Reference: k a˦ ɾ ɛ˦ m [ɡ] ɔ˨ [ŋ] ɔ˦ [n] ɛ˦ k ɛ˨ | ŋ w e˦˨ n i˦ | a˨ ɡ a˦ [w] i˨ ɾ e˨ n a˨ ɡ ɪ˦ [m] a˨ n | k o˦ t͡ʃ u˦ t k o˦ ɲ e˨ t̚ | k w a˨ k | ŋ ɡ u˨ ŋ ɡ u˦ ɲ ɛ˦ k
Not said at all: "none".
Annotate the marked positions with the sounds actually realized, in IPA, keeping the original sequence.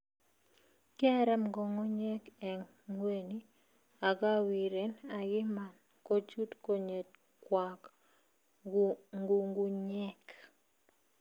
ɡ, ŋ, ɲ, w, m

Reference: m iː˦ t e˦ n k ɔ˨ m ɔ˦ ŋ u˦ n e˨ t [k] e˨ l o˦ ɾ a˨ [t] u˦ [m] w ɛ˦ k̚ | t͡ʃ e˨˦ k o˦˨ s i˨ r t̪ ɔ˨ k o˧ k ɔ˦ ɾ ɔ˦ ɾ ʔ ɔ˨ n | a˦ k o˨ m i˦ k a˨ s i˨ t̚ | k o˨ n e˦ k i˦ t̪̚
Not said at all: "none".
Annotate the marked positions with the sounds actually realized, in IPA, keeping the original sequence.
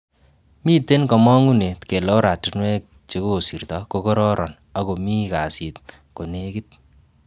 k, t, n

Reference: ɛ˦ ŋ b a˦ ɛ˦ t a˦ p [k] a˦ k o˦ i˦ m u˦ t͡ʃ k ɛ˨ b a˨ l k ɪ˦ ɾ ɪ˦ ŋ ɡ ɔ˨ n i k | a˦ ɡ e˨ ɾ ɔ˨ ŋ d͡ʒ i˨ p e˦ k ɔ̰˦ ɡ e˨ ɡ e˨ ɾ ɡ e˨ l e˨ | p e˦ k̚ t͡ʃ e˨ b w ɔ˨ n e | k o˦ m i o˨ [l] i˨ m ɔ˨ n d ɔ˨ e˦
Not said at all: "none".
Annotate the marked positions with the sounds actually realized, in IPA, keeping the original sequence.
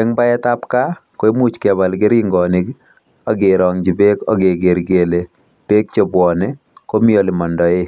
k, l

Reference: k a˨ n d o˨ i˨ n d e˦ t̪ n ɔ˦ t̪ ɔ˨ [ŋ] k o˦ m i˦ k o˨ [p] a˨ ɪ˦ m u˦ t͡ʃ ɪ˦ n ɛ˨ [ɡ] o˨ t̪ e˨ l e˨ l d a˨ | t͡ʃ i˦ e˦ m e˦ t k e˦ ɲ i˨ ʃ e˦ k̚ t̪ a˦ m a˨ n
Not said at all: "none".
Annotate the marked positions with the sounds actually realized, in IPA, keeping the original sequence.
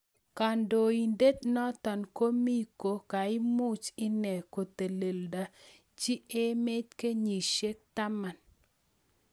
n, k, k

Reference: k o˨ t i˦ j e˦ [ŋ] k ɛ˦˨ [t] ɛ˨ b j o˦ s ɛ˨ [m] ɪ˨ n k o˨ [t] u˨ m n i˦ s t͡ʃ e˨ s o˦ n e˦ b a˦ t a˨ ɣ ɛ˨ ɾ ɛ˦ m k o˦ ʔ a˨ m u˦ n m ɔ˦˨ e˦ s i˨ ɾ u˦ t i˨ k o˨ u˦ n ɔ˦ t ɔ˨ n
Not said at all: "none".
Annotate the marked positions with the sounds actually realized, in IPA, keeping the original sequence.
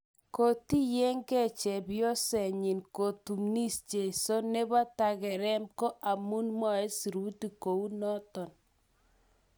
ŋ, t͡ʃ, ɲ, t

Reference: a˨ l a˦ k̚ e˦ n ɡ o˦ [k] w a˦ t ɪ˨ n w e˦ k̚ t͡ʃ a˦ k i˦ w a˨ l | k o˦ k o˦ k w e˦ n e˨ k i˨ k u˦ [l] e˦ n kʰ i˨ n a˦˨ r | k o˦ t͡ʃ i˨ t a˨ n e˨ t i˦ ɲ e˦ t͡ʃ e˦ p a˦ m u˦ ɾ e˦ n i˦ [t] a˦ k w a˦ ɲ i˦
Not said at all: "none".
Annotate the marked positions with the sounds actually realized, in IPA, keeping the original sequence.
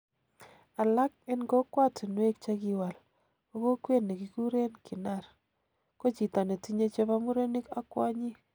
k, ɾ, k

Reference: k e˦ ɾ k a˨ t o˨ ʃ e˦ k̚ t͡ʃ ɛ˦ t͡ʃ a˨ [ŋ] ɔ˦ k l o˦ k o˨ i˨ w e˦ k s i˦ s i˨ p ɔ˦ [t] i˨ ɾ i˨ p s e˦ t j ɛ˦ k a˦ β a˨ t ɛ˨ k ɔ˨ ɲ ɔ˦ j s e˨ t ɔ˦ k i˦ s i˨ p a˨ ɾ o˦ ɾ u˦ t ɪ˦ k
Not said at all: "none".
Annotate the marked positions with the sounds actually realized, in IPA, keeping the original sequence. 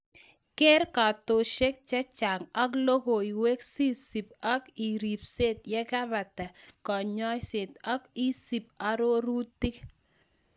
ŋ, k

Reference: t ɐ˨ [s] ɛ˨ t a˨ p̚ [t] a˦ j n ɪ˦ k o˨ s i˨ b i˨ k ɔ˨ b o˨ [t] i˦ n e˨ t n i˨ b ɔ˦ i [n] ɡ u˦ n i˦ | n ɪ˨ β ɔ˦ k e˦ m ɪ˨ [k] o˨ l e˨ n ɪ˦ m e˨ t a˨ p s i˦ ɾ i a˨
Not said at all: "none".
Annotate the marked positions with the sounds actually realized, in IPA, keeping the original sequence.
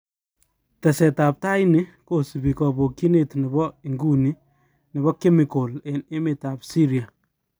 s, t, k, ŋ, k

